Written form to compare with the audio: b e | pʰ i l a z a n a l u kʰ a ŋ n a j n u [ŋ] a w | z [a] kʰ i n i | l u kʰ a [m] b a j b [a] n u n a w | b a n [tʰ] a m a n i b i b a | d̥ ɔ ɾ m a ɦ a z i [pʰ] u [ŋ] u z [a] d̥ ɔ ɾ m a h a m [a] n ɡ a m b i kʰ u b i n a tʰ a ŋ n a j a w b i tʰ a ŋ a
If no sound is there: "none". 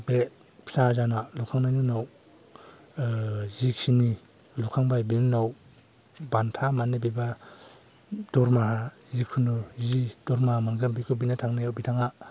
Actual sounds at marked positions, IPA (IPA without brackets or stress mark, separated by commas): n, i, ŋ, i, tʰ, kʰ, n, i, a